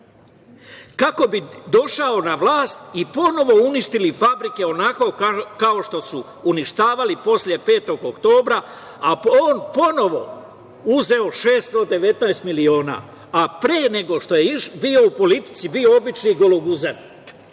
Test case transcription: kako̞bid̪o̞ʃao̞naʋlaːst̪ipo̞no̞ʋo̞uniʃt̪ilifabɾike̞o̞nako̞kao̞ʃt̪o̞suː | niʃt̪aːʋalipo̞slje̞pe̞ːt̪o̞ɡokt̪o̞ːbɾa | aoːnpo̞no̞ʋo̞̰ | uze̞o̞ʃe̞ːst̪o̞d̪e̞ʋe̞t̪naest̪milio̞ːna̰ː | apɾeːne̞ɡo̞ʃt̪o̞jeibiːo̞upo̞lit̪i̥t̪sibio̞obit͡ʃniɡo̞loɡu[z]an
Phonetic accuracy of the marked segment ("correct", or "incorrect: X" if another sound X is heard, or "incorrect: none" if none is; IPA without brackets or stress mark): correct